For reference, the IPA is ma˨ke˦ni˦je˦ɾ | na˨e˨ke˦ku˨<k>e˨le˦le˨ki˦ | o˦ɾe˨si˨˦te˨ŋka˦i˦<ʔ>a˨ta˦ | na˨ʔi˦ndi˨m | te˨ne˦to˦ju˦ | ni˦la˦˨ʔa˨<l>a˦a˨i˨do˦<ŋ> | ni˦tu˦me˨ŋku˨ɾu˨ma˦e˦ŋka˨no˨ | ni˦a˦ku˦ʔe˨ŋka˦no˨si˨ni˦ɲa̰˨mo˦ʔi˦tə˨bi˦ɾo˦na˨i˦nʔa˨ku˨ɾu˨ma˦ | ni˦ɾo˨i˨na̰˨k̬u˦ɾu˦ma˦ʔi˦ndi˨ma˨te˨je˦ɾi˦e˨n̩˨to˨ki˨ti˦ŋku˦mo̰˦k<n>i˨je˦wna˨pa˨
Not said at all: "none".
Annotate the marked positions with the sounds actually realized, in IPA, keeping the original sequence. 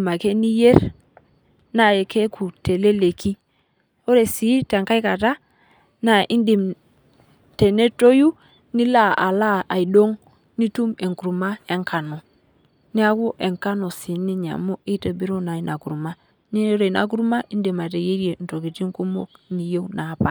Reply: t, k, l, ŋ, n

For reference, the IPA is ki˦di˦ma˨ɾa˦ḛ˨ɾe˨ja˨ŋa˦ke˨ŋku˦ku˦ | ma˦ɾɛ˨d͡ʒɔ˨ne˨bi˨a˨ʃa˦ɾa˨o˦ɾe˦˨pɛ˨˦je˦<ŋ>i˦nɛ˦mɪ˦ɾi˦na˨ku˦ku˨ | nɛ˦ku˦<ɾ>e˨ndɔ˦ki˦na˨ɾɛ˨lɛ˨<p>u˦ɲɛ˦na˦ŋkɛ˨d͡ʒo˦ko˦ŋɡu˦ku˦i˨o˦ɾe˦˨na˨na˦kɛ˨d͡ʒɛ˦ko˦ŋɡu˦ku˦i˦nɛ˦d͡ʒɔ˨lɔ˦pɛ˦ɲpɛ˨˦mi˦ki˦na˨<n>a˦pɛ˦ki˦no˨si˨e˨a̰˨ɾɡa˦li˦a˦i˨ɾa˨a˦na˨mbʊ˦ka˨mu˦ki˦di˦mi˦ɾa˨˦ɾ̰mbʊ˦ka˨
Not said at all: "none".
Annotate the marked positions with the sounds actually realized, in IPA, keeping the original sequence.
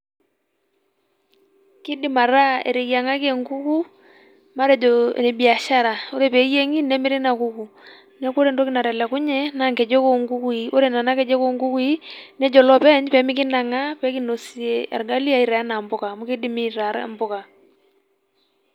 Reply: ŋ, ɾ, k, ŋ

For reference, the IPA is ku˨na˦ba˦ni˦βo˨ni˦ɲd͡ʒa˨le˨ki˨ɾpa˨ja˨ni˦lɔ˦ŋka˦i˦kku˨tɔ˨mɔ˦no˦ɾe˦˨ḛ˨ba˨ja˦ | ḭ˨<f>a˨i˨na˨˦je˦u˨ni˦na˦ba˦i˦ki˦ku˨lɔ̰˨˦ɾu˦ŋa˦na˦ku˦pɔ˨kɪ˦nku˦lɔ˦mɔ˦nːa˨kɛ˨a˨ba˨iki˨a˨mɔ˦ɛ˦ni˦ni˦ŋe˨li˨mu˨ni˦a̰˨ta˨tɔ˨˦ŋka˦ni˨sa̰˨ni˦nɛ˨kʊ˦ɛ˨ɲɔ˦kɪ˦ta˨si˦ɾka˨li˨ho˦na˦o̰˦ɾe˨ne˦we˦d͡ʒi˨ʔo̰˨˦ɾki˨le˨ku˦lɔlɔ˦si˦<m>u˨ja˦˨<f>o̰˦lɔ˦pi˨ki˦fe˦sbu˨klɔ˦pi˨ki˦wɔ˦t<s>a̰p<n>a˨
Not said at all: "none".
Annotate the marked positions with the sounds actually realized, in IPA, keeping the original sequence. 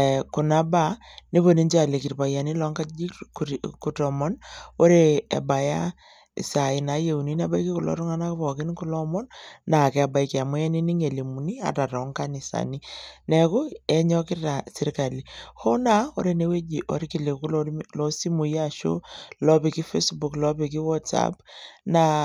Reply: s, m, ʃ, s, n

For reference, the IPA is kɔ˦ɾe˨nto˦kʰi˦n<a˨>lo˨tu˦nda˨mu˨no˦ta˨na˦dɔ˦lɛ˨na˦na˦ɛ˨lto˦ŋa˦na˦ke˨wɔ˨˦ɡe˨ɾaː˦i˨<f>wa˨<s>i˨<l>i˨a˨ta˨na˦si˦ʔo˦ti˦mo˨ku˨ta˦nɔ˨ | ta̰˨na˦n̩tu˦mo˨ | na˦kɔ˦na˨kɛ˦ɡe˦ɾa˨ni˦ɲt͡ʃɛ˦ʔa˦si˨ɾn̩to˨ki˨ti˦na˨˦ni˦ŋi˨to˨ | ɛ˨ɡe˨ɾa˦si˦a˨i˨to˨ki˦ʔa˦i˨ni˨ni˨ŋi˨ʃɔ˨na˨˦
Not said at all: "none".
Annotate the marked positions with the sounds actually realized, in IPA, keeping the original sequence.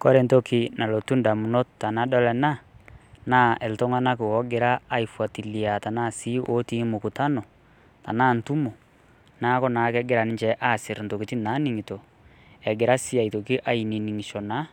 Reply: a˨, f, t, l

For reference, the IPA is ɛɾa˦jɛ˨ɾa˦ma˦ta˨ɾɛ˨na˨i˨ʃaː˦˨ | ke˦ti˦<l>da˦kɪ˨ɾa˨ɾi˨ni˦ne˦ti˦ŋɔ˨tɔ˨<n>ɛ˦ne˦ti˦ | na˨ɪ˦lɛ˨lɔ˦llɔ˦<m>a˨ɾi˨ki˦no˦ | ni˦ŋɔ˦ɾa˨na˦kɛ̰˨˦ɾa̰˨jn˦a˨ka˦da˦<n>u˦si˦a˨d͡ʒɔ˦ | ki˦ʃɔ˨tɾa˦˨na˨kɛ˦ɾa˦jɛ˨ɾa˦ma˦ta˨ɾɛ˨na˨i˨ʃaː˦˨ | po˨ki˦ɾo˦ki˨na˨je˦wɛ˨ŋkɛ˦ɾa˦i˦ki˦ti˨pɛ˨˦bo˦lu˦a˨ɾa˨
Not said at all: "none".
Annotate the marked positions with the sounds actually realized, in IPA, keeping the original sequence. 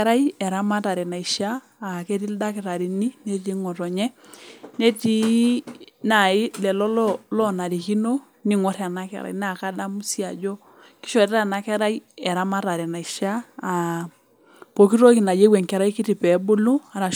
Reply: l, ɲ, n, m

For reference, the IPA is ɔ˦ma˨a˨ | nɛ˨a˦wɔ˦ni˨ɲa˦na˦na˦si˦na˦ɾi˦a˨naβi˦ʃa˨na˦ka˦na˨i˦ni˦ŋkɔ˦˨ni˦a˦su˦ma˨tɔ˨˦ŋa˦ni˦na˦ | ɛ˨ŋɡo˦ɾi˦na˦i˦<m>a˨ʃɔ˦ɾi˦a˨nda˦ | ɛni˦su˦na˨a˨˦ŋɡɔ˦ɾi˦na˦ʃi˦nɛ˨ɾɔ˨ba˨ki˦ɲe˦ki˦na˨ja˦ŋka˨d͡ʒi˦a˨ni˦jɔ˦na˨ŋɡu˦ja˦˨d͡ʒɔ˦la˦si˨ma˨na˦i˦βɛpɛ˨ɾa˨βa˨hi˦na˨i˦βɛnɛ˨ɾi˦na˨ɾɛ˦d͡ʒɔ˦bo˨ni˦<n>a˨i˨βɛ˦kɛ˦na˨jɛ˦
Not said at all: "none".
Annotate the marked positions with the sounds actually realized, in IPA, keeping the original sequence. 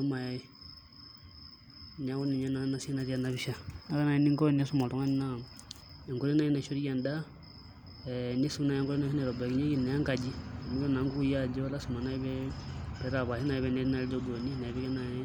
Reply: n, n

